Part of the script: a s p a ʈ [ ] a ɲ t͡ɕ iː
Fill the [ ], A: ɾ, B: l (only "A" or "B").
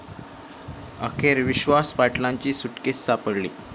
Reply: B